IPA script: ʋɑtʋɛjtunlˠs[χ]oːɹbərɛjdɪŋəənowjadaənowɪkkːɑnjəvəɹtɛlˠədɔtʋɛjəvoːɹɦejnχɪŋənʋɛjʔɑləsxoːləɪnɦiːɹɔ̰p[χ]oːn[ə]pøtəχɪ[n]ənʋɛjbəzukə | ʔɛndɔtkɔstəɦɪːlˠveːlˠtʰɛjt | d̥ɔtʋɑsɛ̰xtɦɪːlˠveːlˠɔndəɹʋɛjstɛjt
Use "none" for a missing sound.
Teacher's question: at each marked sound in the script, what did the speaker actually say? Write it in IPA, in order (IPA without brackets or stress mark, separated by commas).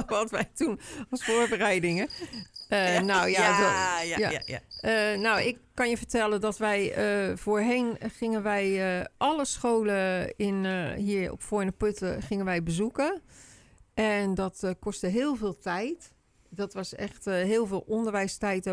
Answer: f, f, ə, ŋ